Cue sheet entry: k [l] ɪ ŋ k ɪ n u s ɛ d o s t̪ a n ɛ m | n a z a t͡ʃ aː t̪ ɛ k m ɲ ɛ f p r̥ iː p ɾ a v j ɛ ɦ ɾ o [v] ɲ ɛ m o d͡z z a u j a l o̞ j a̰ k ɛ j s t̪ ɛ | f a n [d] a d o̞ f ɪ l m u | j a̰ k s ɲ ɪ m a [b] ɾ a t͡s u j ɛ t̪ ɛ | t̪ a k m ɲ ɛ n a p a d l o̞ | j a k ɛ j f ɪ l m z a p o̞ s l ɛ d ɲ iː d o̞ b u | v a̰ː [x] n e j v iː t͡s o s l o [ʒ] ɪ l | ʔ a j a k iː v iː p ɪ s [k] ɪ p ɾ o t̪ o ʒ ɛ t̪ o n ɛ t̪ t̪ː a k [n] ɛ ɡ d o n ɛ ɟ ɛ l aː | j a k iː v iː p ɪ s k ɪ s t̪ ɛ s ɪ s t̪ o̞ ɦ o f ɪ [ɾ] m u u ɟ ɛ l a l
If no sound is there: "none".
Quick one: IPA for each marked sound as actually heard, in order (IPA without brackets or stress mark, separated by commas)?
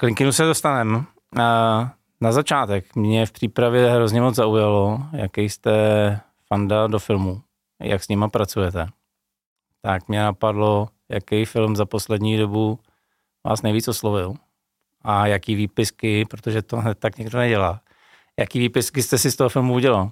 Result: l, z, d, p, s, v, k, ɲ, l